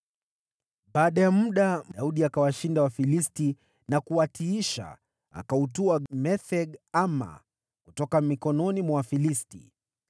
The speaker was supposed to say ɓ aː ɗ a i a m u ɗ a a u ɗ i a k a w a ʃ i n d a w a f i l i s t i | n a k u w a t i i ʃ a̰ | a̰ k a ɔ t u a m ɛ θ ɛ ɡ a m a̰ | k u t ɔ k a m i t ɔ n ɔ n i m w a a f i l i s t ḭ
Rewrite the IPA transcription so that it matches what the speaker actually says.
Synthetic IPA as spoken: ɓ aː ɗ a j a m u ɗ a a u ɗ i a k a w a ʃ i n d a w a f i l i s t i | n a k u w a t i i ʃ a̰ | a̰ k a u t u a m ɛ θ ɛ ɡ a m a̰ | k u t ɔ k a m i k ɔ n ɔ n i m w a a f i l i s t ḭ

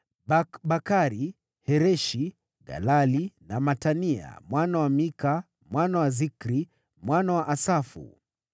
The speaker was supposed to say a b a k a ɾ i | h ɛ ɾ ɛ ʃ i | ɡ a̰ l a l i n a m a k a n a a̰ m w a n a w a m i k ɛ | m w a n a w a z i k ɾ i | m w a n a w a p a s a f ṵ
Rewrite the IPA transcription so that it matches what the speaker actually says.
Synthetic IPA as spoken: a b a k a ɾ i | h ɛ ɾ ɛ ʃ i | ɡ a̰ l a l i n a m a t a n i a̰ m w a n a w a m i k a | m w a n a w a z i k ɾ i | m w a n a w a ʔ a s a f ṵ

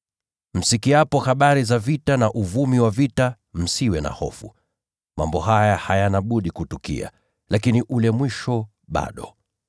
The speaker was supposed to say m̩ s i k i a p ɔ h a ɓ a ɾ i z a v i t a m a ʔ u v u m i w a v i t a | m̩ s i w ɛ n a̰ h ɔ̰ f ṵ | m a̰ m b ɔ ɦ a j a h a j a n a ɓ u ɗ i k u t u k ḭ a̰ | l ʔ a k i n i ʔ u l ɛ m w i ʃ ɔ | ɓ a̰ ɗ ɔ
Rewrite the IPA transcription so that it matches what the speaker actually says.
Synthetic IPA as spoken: m̩ s i k i a p ɔ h a ɓ a ɾ i z a v i t a n a ʔ u v u m i w a v i t a | m̩ s i w ɛ n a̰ h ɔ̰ f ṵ | m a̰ m b ɔ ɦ a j a h a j a n a ɓ u ɗ i k u t u k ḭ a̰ | l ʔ a k i n i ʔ u l ɛ m w i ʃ ɔ | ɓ a̰ ɗ ɔ

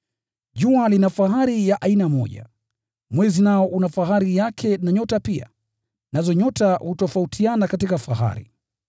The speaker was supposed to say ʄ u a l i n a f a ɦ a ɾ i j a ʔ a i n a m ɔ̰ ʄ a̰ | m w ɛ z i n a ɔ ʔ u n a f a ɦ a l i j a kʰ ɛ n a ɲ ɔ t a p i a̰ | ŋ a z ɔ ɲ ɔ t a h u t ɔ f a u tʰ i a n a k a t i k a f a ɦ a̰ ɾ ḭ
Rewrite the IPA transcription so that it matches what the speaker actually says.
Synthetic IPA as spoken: ʄ u a l i n a f a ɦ a ɾ i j a ʔ a i n a m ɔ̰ ʄ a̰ | m w ɛ z i n a ɔ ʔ u n a f a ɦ a ɾ i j a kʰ ɛ n a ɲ ɔ t a p i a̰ | n a z ɔ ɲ ɔ t a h u t ɔ f a u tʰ i a n a k a t i k a f a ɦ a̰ ɾ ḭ

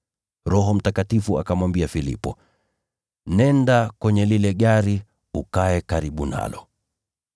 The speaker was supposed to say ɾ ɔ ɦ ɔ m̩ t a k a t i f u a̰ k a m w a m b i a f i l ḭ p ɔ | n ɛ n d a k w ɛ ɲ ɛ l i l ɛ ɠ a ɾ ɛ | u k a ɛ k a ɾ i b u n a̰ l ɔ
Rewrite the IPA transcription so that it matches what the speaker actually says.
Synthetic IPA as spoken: ɾ ɔ ɦ ɔ m̩ t a k a t i f u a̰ k a m w a m b i a f i l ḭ p ɔ | n ɛ n d a k w ɛ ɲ ɛ l i l ɛ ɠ a ɾ i | u k a ɛ k a ɾ i ɓ u n a̰ l ɔ

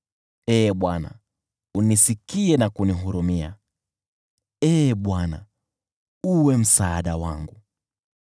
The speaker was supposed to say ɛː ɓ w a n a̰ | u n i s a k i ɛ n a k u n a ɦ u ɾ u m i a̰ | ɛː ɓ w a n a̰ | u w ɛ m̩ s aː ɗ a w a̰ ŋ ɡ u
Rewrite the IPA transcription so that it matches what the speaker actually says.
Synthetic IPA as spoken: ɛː ɓ w a n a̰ | u n i s i k i ɛ n a k u n i ɦ u ɾ u m i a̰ | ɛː ɓ w a n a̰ | u w ɛ m̩ s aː ɗ a w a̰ ŋ ɡ u

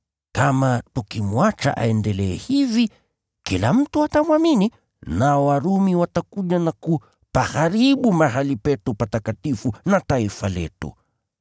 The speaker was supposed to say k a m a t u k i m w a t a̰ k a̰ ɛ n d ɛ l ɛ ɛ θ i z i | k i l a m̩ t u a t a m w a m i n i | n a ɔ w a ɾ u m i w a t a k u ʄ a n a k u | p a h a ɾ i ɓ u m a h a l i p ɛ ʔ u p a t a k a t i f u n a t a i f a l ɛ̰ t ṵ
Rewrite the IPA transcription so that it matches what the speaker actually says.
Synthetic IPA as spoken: k a m a t u k i m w a t͡ʃ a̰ ʔ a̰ ɛ n d ɛ l ɛ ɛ h i v i | k i l a m̩ t u a t a m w a m i n i | n a ɔ w a ɾ u m i w a t a k u ʄ a n a k u | p a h a ɾ i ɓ u m a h a l i p ɛ t u p a t a k a t i f u n a t a i f a l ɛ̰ t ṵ

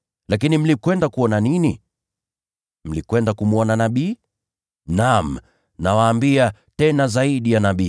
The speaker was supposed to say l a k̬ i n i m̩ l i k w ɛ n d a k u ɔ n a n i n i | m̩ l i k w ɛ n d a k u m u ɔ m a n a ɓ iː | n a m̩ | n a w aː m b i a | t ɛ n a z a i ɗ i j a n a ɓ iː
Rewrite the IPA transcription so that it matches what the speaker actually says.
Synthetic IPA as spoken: l a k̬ i n i m̩ l i k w ɛ n d a k u ɔ n a n i n i | m̩ l i k w ɛ n d a k u m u ɔ n a n a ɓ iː | n a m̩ | n a w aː m b i a | t ɛ n a z a i ɗ i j a n a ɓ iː

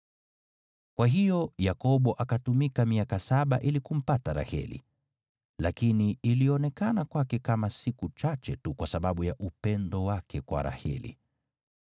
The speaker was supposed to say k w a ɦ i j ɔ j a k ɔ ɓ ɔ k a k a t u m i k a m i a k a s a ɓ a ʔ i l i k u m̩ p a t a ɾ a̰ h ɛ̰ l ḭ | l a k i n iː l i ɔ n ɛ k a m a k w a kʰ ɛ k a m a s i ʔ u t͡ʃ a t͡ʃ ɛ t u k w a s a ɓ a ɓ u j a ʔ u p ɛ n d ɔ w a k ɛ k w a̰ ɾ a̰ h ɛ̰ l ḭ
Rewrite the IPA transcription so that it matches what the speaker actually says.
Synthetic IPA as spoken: k w a ɦ i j ɔ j a k ɔ ɓ ɔ ʔ a k a t u m i k a m i a k a s a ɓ a ʔ i l i k u m̩ p a t a ɾ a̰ h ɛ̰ l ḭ | l a k i n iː l i ɔ n ɛ k a n a k w a k ɛ k a m a s i k u t͡ʃ a t͡ʃ ɛ t u k w a s a ɓ a ɓ u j a ʔ u p ɛ n d ɔ w a k ɛ k w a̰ ɾ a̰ h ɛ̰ l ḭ

